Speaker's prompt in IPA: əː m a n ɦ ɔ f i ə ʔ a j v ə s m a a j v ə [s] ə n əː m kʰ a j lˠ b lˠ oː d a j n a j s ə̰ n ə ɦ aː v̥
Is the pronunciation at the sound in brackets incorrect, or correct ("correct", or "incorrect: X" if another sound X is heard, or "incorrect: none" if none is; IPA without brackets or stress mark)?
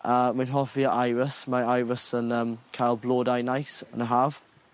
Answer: correct